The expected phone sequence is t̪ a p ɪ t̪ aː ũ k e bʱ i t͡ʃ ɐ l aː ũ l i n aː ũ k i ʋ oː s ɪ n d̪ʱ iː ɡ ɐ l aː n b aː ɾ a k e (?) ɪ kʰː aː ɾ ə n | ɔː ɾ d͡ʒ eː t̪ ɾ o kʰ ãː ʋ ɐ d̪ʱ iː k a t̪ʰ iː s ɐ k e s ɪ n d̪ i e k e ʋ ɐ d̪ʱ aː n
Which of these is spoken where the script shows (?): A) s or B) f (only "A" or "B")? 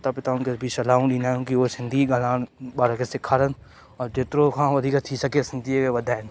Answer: A